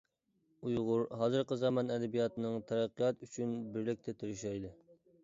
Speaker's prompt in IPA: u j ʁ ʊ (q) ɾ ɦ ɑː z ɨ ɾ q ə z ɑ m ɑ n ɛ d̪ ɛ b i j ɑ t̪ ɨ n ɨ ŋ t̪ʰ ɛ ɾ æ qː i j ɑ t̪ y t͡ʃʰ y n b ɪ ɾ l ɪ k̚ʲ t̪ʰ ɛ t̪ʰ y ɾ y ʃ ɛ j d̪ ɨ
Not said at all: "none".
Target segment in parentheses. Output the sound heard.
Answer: none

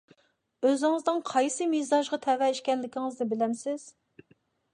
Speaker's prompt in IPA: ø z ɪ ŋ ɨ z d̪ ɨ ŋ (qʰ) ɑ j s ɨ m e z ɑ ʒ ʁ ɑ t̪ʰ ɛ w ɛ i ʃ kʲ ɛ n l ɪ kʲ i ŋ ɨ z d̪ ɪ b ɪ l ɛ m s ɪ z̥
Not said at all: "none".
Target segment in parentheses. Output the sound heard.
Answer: qʰ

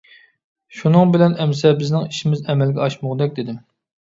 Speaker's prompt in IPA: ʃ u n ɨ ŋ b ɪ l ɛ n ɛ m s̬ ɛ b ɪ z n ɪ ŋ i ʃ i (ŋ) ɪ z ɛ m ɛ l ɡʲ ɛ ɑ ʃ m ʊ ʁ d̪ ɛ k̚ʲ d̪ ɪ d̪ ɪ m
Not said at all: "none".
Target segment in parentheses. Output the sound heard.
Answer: m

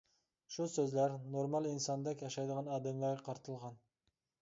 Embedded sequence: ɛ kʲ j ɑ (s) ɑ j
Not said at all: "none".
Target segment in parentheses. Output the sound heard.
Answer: ʃ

